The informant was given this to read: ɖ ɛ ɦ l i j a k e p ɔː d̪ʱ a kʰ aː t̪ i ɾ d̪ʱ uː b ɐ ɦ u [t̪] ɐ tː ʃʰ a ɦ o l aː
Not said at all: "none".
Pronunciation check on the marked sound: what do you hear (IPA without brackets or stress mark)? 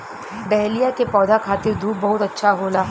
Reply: t̪